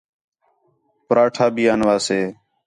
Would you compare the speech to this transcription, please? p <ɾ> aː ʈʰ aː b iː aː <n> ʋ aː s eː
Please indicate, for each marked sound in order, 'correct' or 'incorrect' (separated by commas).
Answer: correct, correct